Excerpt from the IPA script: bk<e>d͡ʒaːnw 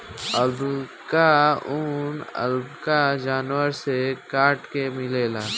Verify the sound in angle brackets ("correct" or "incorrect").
incorrect